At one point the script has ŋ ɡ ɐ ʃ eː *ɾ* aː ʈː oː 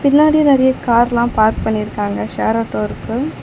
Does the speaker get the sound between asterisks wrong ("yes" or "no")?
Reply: no